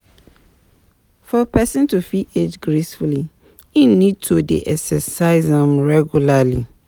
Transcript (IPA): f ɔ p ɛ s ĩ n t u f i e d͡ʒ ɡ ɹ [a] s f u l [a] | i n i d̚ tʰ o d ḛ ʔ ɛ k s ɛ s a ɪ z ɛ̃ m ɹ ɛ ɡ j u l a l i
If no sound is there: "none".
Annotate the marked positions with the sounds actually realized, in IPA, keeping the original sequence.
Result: e, i

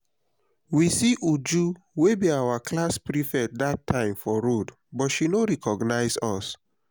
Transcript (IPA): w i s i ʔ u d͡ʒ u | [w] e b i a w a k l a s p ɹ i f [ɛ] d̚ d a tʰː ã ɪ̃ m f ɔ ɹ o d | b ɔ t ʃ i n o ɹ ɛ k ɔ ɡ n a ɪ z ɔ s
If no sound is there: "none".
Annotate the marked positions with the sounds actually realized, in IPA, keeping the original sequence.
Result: w, ɛ

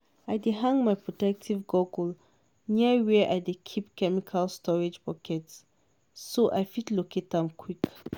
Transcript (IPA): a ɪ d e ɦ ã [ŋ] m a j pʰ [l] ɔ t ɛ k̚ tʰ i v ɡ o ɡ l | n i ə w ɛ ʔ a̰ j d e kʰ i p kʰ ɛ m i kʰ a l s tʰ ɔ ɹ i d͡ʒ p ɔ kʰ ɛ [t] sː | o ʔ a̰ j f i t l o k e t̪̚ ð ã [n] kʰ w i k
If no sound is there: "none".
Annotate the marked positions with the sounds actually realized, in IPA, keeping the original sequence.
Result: ŋ, ɹ, t, m

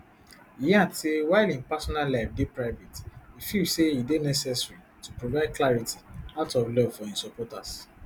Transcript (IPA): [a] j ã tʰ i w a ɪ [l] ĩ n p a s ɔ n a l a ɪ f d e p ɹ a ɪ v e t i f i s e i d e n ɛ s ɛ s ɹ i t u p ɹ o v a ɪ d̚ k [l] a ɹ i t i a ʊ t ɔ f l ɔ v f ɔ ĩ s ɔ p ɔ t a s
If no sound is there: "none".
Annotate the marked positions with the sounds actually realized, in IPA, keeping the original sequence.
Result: i, l, l

